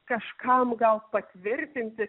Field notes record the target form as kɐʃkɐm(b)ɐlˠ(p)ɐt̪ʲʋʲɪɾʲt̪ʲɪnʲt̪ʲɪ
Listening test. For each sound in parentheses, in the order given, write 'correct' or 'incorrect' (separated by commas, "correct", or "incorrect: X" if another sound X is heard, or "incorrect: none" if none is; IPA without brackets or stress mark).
incorrect: ɡ, correct